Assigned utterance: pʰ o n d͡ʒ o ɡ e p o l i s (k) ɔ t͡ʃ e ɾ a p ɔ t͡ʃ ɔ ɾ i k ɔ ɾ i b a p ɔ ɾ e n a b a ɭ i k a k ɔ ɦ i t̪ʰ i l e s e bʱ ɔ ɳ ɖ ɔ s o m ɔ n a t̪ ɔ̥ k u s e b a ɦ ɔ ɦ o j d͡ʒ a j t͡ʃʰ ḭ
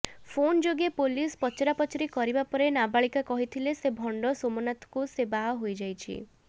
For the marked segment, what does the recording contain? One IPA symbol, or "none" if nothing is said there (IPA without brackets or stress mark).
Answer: p